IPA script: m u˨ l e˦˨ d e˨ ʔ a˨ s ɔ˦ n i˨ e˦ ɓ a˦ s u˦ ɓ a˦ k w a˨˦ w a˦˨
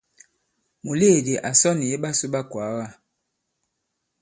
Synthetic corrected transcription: m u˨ l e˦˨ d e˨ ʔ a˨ s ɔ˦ n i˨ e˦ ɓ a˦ s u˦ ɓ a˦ k w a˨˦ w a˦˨